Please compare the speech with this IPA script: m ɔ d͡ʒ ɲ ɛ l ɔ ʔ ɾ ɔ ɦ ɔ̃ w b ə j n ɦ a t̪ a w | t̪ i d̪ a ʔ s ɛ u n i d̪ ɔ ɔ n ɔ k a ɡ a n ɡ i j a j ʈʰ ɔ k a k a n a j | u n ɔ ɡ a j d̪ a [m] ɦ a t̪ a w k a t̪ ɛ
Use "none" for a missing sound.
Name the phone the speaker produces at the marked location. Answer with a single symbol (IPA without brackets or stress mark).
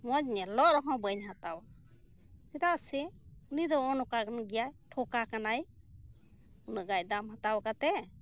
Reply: m